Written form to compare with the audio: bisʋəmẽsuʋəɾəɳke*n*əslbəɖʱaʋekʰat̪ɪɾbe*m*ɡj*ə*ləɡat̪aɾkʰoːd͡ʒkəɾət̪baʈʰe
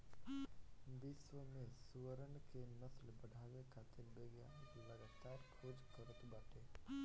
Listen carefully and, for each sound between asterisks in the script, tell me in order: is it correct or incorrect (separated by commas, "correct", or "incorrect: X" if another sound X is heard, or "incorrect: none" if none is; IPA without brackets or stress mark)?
correct, incorrect: none, incorrect: a